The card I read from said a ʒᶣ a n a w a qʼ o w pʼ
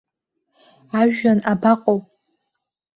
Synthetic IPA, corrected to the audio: a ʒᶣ a n a b a qʼ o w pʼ